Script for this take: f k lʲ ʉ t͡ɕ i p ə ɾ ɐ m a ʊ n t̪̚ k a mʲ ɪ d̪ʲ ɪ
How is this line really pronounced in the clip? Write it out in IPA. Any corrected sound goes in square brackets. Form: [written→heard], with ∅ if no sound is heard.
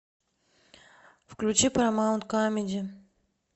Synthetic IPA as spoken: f k lʲ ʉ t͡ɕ i p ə ɾ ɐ m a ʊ n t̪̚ k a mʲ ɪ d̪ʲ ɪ